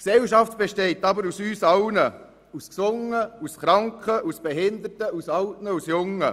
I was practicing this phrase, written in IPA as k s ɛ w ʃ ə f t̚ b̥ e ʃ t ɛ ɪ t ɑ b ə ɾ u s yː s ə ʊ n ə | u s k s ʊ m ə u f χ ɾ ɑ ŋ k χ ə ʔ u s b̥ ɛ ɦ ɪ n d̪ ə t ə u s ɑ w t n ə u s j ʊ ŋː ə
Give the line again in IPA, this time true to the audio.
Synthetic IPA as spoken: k s ɛ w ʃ ɑ f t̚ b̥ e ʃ t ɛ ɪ t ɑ b ə ɾ u s yː s ɑ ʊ n ə | u s k s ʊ ŋ ə u s χ ɾ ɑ ŋ k χ ə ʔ u s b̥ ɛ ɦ ɪ n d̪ ə t ə u s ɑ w t n ə u s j ʊ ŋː ə